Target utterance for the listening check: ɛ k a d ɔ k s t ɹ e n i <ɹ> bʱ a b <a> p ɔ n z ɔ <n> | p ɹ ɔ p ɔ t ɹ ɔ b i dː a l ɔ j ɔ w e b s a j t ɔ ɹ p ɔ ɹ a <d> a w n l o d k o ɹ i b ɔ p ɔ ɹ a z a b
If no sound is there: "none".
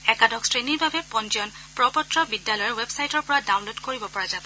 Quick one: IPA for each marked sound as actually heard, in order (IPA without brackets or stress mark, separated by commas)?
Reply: ɹ, ɛ, n, d